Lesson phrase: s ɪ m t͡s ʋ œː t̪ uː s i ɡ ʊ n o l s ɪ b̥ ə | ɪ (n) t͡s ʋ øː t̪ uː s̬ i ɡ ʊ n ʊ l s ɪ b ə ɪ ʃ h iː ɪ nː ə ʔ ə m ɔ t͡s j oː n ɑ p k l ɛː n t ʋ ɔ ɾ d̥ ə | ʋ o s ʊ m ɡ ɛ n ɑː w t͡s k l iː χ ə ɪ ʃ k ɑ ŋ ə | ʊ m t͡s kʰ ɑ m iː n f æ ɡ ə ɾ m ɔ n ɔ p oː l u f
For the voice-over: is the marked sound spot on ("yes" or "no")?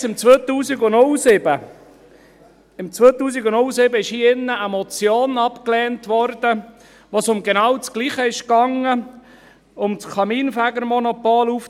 no